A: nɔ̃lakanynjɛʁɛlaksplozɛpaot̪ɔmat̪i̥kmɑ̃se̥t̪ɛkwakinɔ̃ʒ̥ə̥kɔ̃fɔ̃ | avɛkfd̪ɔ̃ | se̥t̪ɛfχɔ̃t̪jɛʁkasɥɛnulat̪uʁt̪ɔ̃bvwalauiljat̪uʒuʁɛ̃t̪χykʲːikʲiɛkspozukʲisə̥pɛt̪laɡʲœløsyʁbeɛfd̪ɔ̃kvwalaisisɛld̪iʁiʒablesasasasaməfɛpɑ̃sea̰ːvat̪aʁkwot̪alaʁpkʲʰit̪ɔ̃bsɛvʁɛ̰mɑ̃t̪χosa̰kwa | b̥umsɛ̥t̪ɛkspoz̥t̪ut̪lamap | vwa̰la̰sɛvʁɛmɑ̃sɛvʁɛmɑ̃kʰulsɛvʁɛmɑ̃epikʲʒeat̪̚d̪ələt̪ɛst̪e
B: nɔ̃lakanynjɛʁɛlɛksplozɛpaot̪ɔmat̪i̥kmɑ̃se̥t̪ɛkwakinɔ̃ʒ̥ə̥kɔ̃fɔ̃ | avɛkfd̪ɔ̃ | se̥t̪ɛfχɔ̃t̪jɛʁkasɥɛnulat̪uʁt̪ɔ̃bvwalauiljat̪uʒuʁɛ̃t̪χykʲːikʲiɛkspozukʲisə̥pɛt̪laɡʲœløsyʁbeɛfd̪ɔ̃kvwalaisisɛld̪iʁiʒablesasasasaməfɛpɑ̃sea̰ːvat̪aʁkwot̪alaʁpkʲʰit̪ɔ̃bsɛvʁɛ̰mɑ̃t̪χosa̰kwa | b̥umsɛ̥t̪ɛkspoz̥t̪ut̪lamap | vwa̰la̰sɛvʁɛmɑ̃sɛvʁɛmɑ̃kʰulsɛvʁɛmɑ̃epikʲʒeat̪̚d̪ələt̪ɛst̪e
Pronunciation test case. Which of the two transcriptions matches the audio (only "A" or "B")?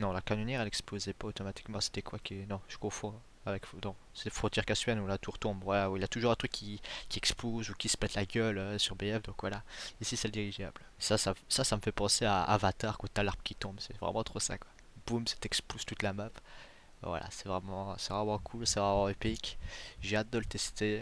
B